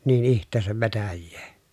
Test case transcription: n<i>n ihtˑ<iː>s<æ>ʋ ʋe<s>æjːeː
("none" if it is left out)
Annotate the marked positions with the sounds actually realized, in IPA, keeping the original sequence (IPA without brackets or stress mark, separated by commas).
iː, eː, æ, t